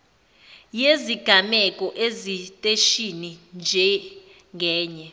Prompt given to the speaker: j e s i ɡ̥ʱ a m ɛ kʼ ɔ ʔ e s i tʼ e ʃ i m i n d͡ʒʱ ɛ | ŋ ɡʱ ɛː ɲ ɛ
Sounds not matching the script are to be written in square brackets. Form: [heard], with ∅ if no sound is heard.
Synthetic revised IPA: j e [z] i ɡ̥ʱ a m ɛ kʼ ɔ ʔ e [z] i tʼ e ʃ i [n] i n d͡ʒʱ ɛ | ŋ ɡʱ ɛː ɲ ɛ